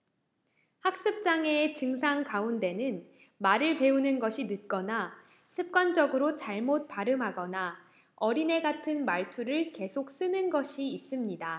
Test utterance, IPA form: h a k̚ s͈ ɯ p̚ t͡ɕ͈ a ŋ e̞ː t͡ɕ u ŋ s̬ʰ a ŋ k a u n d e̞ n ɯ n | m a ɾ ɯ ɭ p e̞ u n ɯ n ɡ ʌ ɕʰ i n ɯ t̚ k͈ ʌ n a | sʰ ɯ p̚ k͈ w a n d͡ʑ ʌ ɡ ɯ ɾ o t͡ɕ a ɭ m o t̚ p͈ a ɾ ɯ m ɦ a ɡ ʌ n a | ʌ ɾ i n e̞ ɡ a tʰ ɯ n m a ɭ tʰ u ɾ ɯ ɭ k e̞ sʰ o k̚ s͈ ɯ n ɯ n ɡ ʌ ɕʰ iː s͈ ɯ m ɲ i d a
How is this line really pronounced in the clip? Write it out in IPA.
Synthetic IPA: h a k̚ s͈ ɯ p̚ t͡ɕ͈ a ŋ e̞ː t͡ɕ ɯ ŋ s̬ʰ a ŋ k a u n d e̞ n ɯ n | m a ɾ ɯ ɭ p e̞ u n ɯ n ɡ ʌ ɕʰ i n ɯ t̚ k͈ ʌ n a | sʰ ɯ p̚ k͈ w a n d͡ʑ ʌ ɡ ɯ ɾ o t͡ɕ a ɭ m o t̚ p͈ a ɾ ɯ m ɦ a ɡ ʌ n a | ʌ ɾ i n e̞ ɡ a tʰ ɯ n m a ɭ tʰ u ɾ ɯ ɭ k e̞ sʰ o k̚ s͈ ɯ n ɯ n ɡ ʌ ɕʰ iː s͈ ɯ m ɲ i d a